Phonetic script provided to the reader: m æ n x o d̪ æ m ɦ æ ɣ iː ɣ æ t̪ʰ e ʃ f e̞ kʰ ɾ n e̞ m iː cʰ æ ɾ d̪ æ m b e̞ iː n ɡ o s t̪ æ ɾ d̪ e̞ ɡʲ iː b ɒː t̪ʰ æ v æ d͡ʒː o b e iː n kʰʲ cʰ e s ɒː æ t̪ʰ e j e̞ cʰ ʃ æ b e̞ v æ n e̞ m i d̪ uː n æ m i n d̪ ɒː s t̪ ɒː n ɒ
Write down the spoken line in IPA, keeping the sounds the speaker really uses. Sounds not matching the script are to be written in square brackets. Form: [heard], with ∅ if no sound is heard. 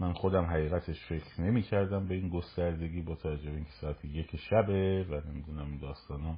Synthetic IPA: m æ n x o d̪ æ m ɦ æ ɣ iː ɣ æ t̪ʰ e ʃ f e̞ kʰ ɾ n e̞ m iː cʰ æ ɾ d̪ æ m b e̞ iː n ɡ o s t̪ æ ɾ d̪ e̞ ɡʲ iː b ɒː t̪ʰ æ v æ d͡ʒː o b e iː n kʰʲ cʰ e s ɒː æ t̪ʰ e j e̞ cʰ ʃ æ b e̞ v æ n e̞ m i d̪ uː n æ m i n d̪ ɒː s t̪ ɒː n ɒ